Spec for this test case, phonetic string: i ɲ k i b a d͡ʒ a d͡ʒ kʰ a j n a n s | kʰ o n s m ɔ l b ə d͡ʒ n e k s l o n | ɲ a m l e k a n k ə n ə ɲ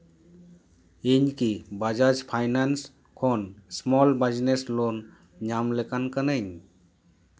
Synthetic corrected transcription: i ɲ k i b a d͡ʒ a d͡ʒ pʰ a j n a n s | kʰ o n s m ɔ l b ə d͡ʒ n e s l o n | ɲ a m l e k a n k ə n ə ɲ